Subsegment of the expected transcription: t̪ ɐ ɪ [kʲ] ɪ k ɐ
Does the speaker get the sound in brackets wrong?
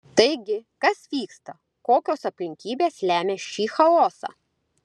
yes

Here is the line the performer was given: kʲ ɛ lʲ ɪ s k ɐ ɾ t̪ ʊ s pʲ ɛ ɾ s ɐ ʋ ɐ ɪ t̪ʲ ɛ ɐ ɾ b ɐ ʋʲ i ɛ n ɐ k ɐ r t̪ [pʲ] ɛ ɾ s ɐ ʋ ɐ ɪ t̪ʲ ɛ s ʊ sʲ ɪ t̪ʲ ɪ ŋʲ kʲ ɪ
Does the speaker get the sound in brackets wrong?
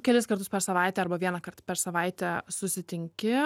no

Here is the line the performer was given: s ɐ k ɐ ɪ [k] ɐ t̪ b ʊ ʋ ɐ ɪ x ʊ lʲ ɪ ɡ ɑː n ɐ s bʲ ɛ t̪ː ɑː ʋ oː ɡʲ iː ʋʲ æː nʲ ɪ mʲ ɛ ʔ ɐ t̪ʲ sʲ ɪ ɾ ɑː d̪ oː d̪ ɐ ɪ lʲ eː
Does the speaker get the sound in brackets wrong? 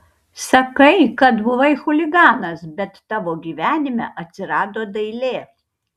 no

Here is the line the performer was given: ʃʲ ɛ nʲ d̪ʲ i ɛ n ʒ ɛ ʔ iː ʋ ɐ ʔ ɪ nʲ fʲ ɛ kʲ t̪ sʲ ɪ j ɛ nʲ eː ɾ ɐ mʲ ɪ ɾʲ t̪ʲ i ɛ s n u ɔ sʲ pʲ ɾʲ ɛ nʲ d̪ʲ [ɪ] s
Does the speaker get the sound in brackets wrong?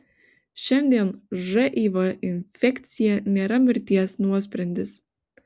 no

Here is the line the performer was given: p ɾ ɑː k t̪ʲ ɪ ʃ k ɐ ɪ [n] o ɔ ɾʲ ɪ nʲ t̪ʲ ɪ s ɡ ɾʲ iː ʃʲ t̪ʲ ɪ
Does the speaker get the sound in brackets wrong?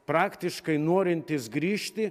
no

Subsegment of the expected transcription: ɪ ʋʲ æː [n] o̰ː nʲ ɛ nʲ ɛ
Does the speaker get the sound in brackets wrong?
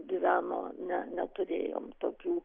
no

